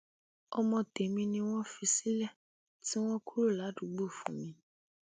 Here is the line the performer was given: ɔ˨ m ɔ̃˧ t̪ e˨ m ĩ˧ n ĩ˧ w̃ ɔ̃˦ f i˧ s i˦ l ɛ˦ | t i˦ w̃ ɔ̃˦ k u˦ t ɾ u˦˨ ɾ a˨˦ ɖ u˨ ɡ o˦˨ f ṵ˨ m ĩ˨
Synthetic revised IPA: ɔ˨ m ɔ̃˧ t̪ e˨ m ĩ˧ n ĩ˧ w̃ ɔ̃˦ f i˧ s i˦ l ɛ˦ | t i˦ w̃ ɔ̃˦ k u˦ ɾ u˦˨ l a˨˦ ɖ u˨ ɡ͡b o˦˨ f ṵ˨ m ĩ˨